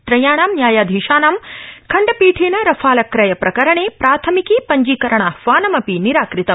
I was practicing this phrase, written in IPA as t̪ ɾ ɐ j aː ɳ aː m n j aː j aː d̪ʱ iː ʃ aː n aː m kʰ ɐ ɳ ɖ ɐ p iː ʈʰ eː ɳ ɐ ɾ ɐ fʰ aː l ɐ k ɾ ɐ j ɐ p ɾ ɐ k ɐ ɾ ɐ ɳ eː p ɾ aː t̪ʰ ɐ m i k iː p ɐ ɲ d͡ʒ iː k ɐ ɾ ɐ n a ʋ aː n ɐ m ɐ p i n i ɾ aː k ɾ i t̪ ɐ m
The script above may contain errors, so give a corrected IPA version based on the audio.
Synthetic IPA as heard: t̪ ɾ ɐ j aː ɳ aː m n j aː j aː d̪ʱ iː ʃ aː n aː m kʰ ɐ ɳ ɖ ɐ p iː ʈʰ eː n ɐ ɾ ɐ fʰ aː l ɐ k ɾ ɐ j ɐ p ɾ ɐ k ɐ ɾ ɐ ɳ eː p ɾ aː t̪ʰ ɐ m i k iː p ɐ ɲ d͡ʒ iː k ɐ ɾ ɐ ɳ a ʋ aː n ɐ m ɐ p i n i ɾ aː k ɾ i t̪ ɐ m